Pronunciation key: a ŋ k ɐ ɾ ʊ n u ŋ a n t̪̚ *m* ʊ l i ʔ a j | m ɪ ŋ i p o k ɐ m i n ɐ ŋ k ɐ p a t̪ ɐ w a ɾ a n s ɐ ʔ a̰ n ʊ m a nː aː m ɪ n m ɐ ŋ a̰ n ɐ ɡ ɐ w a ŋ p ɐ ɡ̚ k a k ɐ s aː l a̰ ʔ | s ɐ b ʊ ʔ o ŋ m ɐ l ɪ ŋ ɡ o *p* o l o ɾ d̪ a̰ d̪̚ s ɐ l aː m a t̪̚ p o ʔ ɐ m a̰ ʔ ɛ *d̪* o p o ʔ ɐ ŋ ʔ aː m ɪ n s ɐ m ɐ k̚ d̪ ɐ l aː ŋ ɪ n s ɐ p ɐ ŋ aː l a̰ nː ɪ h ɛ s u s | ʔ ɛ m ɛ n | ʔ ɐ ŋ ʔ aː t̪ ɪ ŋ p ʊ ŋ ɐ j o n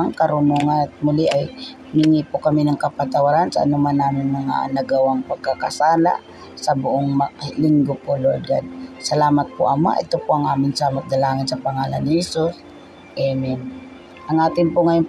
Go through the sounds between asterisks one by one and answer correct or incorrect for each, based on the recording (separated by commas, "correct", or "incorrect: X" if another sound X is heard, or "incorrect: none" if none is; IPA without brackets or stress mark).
correct, correct, incorrect: t̪